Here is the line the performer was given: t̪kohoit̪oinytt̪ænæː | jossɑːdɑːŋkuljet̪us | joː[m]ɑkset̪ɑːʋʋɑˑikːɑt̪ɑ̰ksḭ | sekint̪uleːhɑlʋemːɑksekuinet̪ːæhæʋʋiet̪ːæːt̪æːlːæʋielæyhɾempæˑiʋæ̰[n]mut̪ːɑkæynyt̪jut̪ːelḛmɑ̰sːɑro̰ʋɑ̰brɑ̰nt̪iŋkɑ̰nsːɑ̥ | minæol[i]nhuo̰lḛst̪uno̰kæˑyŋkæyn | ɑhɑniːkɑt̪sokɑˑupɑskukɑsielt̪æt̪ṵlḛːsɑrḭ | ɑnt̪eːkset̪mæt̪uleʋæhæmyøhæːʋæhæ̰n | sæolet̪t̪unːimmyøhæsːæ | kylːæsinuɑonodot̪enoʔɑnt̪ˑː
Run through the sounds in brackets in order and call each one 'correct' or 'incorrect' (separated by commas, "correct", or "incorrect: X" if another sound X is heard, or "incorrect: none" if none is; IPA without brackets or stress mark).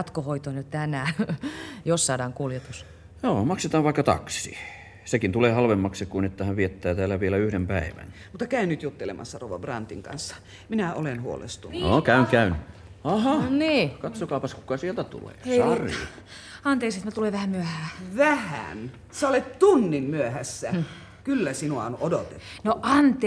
correct, correct, incorrect: e